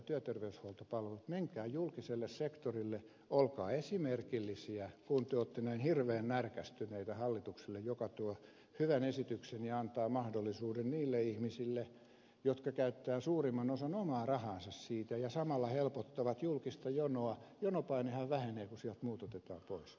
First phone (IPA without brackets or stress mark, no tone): t̪